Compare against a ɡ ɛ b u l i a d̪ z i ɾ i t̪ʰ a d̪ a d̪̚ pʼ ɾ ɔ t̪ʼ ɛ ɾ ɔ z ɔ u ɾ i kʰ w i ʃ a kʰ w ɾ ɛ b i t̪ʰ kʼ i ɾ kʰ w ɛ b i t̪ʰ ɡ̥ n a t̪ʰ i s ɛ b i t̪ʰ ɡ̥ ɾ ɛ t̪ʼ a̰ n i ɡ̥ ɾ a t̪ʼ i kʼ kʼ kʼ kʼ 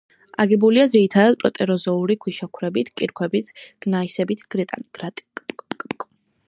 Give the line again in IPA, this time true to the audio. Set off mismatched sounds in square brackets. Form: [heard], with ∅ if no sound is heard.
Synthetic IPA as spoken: a ɡ ɛ b u l i a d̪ z i ɾ i t̪ʰ a d̪ a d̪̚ pʼ ɾ ɔ t̪ʼ ɛ ɾ ɔ z ɔ u ɾ i kʰ w i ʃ a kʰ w ɾ ɛ b i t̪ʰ kʼ i ɾ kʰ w ɛ b i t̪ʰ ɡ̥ n a [∅] i s ɛ b i t̪ʰ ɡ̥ ɾ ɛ t̪ʼ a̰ n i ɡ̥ ɾ a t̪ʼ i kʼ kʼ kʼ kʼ